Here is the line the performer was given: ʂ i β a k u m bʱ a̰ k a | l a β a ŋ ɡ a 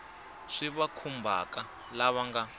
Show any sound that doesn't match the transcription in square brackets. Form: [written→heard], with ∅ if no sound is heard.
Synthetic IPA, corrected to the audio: ʂ i β a [k→kʰ] u m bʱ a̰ k a | l a β a ŋ ɡ a